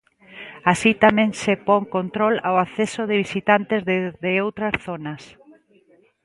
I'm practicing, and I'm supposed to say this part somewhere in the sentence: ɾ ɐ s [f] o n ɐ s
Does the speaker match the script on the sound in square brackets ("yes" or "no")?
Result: no